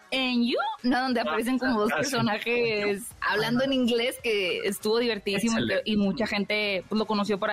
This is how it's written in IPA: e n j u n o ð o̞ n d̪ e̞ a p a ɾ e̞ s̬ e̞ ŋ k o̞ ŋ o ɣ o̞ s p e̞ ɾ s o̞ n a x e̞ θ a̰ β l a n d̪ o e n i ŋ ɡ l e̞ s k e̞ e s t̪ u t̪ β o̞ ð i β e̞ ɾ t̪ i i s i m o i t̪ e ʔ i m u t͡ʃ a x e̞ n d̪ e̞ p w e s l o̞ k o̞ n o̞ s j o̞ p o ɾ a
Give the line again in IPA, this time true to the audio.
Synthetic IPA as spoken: e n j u n o ð o̞ n d̪ e̞ a p a ɾ e̞ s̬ e̞ ŋ k o̞ m o ð o̞ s p e̞ ɾ s o̞ n a x e̞ s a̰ β l a n d̪ o e n i ŋ ɡ l e̞ s k e̞ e s t̪ u β o̞ ð i β e̞ ɾ t̪ i i s i m o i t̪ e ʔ i m u t͡ʃ a x e̞ n t̪ e̞ p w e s l o̞ k o̞ n o̞ s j o̞ p o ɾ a